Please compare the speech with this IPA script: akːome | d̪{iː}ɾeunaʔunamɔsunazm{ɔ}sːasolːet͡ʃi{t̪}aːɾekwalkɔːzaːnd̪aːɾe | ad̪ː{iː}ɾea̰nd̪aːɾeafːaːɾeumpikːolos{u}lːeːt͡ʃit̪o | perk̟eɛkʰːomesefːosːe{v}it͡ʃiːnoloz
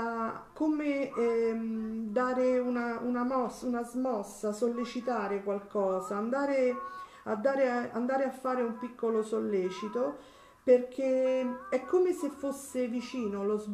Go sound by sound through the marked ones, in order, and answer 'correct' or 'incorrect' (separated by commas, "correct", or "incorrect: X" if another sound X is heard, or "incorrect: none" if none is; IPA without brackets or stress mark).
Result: incorrect: aː, correct, correct, incorrect: aː, incorrect: o, correct